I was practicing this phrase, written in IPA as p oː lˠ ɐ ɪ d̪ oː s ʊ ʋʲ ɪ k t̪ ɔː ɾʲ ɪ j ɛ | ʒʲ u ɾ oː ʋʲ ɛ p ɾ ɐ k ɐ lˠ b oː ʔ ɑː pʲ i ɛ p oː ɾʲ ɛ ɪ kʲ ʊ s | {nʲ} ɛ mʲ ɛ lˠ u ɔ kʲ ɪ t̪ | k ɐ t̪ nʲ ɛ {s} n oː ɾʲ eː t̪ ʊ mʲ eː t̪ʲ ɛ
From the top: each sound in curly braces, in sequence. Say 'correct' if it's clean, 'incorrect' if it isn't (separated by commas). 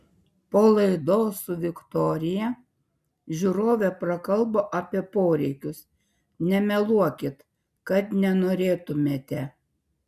correct, incorrect